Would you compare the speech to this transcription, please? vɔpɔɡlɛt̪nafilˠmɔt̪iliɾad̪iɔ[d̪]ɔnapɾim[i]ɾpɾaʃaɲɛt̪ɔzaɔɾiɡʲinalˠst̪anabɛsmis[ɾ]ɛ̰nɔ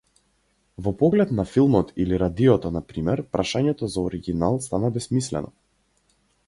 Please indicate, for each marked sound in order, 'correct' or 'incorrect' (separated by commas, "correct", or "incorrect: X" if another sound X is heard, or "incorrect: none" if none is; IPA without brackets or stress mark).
incorrect: t̪, incorrect: ɛ, incorrect: l